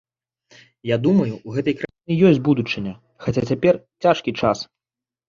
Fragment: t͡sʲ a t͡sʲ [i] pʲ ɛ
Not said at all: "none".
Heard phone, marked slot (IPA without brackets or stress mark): a